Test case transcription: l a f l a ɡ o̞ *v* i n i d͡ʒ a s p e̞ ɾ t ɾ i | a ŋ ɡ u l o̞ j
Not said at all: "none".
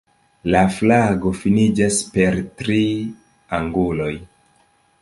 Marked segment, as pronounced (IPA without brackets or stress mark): f